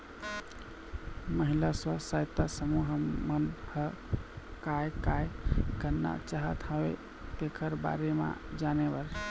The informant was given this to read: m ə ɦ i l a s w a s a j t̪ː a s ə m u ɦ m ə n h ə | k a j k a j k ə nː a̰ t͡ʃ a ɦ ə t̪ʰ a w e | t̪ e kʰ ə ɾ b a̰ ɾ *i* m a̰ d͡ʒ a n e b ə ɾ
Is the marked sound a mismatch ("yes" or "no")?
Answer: yes